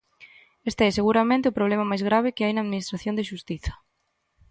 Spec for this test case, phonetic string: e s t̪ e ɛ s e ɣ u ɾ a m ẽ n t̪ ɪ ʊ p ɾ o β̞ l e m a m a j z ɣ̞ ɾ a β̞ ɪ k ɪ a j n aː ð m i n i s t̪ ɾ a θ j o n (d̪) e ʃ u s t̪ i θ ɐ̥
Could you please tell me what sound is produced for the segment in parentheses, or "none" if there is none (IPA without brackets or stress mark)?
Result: d̪